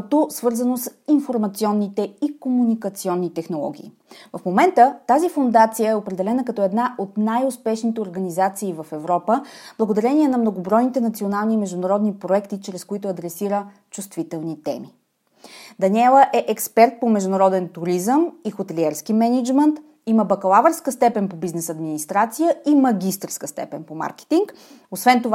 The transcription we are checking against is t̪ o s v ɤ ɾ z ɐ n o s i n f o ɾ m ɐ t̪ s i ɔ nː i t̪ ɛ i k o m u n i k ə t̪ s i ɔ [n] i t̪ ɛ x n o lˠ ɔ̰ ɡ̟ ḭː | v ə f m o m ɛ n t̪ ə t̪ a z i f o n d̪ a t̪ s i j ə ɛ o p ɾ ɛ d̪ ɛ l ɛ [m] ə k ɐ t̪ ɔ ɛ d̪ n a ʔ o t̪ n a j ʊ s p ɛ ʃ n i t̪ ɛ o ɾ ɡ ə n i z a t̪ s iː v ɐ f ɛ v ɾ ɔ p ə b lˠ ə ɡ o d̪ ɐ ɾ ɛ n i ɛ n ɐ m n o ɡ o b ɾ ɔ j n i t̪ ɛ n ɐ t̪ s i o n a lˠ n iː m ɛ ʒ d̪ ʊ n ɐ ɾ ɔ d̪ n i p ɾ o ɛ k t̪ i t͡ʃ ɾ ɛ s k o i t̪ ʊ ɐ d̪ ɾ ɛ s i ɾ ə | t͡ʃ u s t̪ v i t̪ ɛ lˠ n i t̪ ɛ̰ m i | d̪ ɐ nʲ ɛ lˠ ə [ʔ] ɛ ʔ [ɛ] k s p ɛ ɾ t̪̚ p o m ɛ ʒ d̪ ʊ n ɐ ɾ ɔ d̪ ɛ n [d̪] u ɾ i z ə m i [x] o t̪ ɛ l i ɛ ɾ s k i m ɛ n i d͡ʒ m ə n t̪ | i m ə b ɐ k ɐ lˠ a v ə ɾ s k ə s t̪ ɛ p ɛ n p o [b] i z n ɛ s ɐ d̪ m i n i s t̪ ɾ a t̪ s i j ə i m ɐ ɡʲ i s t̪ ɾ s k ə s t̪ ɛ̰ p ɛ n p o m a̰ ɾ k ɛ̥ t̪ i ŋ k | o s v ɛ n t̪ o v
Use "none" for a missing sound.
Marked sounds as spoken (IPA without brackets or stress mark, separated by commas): nː, n, ʔ, ɛ, t̪, x, b